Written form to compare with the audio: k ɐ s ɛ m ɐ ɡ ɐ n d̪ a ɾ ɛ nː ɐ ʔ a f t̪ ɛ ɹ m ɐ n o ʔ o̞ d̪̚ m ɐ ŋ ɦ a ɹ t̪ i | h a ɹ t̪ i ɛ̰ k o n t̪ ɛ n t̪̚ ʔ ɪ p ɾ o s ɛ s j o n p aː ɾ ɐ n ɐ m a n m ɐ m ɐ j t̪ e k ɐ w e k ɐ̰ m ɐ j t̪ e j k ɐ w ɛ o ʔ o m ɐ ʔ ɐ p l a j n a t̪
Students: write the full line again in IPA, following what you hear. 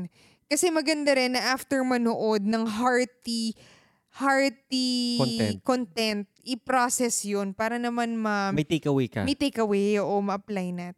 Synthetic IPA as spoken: k ɐ s ɛ m ɐ ɡ ɐ n d̪ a ɾ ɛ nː ɐ ʔ a f t̪ ɛ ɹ m ɐ n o ʔ o̞ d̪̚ n ɐ ŋ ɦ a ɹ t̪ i | h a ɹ t̪ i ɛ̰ k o n t̪ ɛ n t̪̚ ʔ ɪ p ɾ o s ɛ s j o n p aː ɾ ɐ n ɐ m a n m ɐ m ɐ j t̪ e k ɐ w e k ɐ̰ m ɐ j t̪ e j k ɐ w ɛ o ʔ o m ɐ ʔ ɐ p l a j n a t̪